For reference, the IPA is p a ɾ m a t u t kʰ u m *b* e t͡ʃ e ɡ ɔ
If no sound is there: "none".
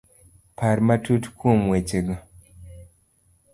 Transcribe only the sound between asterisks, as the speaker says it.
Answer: w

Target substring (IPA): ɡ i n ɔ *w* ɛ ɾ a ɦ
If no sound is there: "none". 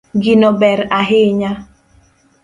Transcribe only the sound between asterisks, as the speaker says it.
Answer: b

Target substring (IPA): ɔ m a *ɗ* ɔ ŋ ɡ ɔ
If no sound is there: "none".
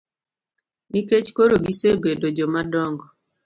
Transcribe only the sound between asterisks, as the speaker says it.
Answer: d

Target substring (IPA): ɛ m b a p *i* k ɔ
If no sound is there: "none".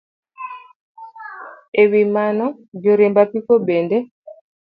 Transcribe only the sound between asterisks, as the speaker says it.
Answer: i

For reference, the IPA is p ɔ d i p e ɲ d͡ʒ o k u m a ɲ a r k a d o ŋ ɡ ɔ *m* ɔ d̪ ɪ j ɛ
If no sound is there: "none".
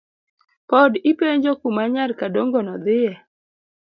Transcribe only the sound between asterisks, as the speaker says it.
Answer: n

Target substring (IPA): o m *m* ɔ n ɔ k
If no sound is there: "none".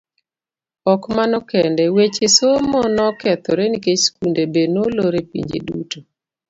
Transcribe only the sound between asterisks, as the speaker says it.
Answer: m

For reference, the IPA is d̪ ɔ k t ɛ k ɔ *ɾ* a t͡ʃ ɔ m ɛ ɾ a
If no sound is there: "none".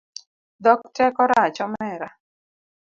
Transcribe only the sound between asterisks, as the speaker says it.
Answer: ɾ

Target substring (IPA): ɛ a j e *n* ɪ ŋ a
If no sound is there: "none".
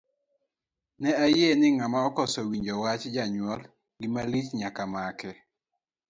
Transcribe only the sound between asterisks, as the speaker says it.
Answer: n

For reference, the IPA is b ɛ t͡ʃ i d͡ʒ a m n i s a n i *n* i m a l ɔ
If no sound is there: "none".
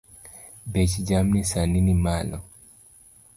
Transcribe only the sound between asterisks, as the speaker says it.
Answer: n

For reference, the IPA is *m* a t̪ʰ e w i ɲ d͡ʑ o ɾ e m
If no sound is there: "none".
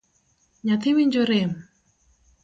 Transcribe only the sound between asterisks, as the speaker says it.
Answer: ɲ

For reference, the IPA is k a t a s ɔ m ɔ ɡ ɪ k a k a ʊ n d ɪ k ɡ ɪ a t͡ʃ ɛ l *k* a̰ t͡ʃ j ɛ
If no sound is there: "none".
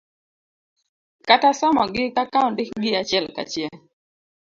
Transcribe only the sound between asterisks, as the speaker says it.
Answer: k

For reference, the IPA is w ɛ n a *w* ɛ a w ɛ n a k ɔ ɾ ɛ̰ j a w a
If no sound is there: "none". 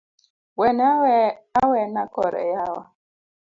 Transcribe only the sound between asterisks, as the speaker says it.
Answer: w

